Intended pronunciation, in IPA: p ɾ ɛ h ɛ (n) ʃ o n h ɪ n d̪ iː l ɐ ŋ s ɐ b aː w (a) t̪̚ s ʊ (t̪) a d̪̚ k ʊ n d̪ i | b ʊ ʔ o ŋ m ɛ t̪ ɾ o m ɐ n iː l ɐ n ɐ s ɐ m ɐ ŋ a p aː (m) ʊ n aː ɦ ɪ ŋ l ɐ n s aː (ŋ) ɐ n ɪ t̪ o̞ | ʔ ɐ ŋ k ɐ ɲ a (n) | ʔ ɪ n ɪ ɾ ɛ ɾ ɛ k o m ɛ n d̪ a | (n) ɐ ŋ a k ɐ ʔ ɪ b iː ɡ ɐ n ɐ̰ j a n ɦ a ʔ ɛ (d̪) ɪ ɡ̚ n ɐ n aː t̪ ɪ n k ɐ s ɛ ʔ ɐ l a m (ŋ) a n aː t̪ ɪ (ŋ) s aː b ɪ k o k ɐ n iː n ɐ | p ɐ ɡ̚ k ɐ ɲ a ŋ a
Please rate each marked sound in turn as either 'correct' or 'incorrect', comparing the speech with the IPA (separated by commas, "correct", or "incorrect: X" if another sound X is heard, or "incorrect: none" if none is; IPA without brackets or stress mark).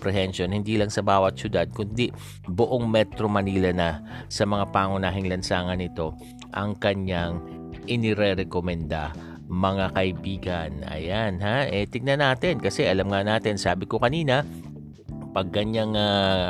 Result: correct, incorrect: ɐ, incorrect: d̪, incorrect: ŋ, correct, incorrect: ŋ, incorrect: m, incorrect: t̪, correct, incorrect: n